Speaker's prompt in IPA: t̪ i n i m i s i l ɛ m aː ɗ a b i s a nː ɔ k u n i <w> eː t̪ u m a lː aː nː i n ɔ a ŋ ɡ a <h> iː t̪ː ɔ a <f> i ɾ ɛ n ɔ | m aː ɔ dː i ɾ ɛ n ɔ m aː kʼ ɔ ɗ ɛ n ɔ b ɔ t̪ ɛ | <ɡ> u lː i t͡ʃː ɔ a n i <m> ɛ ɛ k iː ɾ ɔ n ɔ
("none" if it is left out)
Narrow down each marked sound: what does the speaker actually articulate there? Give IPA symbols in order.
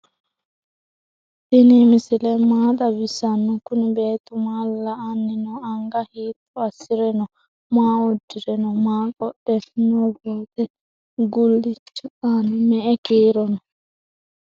b, h, s, ɡ, m

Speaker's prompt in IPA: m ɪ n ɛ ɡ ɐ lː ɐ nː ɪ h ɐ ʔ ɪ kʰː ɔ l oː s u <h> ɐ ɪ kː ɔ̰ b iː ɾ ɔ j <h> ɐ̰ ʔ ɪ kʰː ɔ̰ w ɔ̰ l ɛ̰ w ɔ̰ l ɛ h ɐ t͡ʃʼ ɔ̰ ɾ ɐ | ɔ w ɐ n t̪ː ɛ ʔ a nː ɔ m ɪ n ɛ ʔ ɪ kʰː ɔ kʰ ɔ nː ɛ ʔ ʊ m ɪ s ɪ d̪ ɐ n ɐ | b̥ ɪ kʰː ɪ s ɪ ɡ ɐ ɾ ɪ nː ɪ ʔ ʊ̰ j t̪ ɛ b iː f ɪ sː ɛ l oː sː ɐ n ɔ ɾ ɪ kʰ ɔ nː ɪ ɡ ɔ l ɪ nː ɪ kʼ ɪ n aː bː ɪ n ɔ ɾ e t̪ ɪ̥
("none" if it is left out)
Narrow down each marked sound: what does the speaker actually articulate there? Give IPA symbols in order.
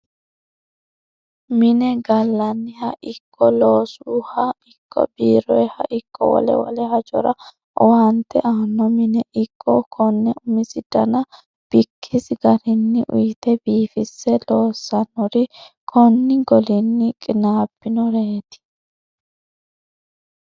h, h

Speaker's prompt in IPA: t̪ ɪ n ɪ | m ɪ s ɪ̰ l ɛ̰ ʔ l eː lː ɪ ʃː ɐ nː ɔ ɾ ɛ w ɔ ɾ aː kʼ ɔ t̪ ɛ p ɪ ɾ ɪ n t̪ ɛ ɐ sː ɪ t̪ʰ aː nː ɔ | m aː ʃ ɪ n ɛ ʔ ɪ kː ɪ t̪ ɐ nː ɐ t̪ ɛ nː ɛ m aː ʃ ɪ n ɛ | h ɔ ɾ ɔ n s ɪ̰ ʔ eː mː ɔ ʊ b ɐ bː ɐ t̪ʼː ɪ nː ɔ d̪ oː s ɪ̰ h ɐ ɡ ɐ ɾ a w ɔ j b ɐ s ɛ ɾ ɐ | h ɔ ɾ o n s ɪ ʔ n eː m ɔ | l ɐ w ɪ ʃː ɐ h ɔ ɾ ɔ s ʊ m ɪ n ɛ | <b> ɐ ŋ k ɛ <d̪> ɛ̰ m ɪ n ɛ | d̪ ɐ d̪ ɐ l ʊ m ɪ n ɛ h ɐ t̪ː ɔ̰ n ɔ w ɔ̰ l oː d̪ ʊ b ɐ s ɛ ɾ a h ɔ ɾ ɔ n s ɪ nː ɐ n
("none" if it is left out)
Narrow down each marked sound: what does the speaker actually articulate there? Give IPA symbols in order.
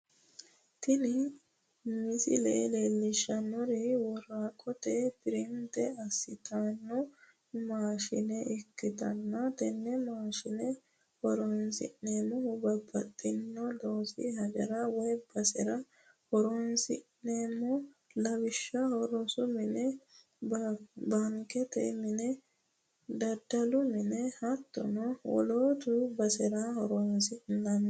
b, t̪

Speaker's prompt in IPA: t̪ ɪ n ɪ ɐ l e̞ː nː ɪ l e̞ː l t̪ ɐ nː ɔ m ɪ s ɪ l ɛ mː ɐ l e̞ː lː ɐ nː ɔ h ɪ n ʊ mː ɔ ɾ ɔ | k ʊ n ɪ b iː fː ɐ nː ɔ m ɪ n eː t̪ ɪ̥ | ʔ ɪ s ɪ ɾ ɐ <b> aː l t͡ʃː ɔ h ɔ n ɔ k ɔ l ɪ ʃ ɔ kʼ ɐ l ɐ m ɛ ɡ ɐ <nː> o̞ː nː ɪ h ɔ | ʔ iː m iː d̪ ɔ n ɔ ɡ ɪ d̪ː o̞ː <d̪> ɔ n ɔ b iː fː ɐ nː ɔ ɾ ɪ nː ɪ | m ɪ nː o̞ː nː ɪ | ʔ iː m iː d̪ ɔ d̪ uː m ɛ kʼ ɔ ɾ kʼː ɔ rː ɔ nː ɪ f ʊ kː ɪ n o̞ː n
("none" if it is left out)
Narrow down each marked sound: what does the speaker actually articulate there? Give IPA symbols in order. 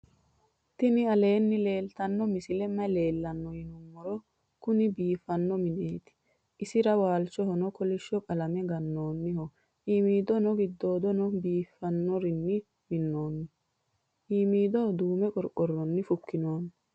w, nː, d̪

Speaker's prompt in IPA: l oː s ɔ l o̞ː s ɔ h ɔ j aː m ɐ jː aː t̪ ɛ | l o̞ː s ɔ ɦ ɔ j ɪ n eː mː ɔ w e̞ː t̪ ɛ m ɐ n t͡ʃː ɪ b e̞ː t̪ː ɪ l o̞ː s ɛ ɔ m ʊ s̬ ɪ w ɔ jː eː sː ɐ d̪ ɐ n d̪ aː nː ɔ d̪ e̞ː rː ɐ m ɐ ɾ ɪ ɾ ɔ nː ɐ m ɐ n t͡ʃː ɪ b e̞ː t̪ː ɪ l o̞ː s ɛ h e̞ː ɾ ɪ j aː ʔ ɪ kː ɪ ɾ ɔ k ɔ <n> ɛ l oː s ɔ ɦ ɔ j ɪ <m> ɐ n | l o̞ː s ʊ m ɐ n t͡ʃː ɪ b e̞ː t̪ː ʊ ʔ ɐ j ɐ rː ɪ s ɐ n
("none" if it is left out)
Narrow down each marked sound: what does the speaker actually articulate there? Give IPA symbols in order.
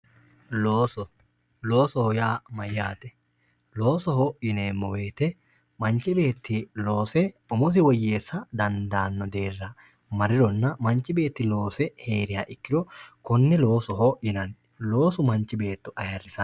nː, n

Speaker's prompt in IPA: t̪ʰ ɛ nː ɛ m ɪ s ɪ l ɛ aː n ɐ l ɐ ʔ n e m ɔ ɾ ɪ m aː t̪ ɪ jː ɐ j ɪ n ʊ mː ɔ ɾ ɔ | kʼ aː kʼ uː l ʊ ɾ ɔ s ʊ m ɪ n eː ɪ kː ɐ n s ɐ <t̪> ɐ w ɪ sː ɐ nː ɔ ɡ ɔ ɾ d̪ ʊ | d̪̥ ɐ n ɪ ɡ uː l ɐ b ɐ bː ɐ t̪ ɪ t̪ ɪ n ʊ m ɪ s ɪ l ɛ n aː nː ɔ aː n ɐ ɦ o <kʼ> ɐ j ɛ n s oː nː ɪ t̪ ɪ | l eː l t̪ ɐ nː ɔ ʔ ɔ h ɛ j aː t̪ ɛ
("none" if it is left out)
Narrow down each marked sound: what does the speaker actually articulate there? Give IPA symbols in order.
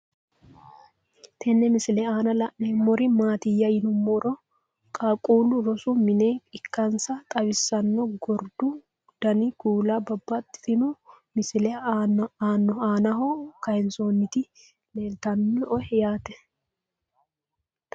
t̪ʼ, k

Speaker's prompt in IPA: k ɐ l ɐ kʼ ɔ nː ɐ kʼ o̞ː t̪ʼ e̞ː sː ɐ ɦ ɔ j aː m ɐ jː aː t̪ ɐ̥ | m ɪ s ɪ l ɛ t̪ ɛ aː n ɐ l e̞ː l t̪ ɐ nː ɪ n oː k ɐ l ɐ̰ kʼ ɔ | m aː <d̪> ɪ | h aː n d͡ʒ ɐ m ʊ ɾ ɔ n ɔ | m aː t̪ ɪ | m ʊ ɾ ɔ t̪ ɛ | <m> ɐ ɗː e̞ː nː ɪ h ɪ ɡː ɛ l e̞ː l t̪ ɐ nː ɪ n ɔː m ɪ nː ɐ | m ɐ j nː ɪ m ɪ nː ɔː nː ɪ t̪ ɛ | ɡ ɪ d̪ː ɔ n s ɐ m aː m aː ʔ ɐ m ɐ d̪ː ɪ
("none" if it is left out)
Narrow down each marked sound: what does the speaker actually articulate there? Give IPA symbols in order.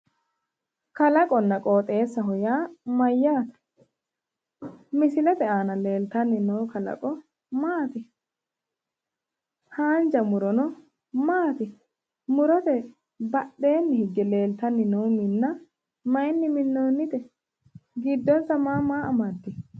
t̪, b

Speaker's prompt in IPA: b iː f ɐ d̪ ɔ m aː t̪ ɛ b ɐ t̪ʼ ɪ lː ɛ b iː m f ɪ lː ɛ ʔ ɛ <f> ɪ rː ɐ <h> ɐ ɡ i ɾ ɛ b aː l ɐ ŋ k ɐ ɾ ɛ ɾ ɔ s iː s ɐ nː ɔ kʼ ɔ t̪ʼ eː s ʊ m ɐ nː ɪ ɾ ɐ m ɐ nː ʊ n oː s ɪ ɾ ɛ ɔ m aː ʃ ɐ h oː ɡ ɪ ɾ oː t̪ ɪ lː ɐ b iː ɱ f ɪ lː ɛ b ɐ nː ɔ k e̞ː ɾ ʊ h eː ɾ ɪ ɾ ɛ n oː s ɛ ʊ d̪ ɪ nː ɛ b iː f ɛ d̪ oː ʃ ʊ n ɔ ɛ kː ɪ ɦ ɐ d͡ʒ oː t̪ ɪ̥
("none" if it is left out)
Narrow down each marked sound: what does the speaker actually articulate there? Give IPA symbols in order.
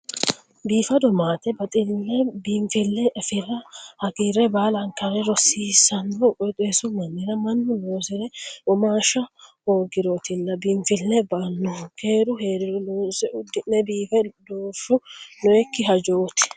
f, h

